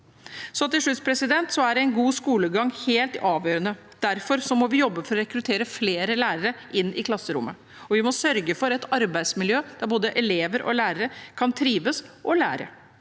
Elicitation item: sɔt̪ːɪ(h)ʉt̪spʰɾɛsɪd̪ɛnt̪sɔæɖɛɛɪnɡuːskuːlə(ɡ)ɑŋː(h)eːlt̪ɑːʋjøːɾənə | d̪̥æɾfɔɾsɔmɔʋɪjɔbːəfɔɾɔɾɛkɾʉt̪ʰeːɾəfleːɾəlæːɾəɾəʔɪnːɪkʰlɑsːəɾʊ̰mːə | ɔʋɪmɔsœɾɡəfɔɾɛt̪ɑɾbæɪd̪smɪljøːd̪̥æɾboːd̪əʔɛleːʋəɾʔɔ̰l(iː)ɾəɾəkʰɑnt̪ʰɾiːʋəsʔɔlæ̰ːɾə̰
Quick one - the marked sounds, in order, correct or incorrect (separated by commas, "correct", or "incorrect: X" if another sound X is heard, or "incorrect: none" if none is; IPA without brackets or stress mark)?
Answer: incorrect: ʂ, correct, correct, incorrect: æː